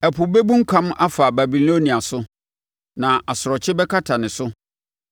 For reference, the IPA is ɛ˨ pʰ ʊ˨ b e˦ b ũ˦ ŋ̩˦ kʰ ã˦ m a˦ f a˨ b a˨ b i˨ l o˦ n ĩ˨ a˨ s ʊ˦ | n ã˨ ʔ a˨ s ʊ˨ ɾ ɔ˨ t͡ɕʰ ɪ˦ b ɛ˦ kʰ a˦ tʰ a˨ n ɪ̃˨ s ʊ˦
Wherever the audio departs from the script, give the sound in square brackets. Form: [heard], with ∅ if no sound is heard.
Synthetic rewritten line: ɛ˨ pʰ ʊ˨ b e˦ b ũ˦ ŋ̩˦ kʰ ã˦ m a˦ f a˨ b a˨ b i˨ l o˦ n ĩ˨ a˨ s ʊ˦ | n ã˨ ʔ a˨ s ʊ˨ ɾ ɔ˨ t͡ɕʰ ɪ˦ b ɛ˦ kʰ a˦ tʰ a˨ n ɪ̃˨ s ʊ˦